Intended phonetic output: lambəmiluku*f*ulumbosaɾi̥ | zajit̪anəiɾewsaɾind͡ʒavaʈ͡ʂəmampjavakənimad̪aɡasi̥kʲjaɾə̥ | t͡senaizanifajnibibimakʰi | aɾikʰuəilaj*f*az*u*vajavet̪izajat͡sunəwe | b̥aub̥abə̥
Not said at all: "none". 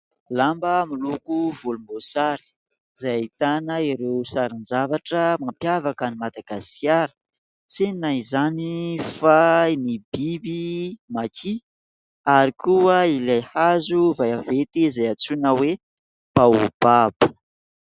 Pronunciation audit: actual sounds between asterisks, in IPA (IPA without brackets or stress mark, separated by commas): v, h, u